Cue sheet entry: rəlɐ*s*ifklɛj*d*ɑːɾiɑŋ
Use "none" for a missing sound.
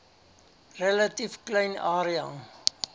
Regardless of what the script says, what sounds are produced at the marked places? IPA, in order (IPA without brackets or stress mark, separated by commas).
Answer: t, n